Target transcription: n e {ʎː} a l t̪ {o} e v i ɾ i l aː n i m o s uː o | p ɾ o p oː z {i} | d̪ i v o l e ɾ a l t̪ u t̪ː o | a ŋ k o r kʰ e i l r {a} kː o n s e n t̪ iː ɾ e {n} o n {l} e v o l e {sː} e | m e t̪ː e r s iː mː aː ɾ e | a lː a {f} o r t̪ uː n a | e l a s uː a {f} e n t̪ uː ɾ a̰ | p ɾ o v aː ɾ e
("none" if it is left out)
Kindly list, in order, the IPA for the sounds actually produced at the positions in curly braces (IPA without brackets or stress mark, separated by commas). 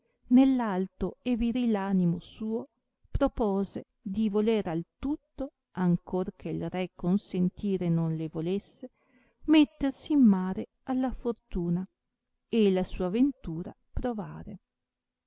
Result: lː, o, e, ɛ, n, l, sː, f, v